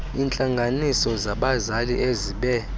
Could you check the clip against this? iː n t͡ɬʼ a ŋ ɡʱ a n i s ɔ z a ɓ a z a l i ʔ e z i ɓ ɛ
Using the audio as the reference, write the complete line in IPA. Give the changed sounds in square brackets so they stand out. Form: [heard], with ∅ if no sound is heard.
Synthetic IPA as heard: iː n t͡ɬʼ a ŋ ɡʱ a n i s ɔ z a ɓ a z a l i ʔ e z i ɓ ɛ